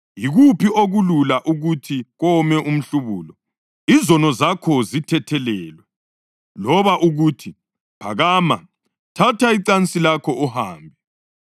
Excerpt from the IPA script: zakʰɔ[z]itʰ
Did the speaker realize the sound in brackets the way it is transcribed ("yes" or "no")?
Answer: yes